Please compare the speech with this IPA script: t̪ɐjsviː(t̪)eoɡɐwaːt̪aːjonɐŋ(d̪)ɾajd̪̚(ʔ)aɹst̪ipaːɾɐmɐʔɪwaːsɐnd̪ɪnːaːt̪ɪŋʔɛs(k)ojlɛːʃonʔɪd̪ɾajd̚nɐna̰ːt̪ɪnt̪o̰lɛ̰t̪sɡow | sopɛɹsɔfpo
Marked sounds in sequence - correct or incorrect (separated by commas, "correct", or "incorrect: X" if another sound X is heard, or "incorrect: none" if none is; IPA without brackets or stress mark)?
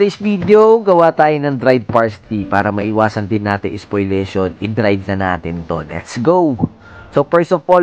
incorrect: d̪, correct, incorrect: p, incorrect: p